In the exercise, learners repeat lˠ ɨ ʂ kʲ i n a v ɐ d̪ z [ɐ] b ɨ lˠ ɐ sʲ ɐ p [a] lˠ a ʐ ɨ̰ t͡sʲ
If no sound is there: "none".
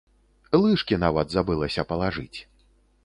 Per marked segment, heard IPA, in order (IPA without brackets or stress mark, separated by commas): a, ɐ